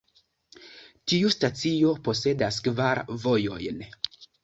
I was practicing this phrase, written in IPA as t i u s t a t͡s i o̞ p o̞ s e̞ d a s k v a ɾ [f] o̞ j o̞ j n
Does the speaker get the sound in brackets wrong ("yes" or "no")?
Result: yes